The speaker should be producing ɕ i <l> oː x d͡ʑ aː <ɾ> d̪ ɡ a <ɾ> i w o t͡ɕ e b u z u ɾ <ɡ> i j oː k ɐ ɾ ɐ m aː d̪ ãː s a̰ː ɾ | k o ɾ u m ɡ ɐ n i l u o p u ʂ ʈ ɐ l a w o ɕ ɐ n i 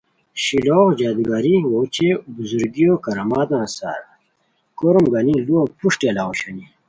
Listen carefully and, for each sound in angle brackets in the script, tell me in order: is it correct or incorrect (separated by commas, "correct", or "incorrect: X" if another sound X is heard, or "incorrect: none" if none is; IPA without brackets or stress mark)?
correct, incorrect: none, correct, correct